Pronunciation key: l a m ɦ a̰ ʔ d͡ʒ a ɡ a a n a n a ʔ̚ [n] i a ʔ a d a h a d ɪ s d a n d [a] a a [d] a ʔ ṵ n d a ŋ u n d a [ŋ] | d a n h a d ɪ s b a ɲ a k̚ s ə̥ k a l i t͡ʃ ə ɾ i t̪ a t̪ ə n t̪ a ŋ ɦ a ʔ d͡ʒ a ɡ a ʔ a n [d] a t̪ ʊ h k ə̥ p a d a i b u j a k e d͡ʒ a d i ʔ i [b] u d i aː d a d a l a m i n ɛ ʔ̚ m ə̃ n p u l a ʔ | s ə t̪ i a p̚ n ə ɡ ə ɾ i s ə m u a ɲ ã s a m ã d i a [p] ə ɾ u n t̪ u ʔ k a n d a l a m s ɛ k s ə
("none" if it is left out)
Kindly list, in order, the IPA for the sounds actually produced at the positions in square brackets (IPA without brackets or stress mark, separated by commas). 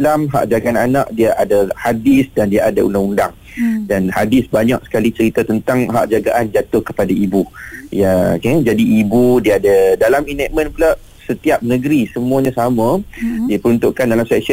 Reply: d, i, d, ŋ, d͡ʒ, b, p